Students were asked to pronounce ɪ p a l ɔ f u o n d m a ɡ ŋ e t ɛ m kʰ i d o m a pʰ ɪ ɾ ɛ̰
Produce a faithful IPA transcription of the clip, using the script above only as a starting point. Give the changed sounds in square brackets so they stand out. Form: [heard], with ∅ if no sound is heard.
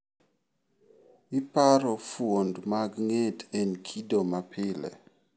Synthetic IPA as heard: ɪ p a [ɾ] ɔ f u o n d m a ɡ ŋ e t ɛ [n] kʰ i d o m a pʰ ɪ [l] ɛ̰